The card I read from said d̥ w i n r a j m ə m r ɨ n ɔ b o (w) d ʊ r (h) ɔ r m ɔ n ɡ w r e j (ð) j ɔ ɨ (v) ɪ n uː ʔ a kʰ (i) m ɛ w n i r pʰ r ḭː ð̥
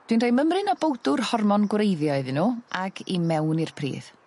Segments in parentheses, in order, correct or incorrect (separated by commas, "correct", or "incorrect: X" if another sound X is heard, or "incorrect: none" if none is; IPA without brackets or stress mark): correct, correct, correct, incorrect: ð, correct